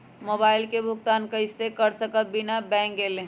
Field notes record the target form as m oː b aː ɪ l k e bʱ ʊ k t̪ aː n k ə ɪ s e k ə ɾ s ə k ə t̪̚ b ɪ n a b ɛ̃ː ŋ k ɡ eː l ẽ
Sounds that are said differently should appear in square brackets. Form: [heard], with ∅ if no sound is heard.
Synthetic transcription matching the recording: m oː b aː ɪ l k e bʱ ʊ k t̪ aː n k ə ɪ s e k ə ɾ s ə k ə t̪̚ b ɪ n a b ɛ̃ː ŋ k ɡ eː l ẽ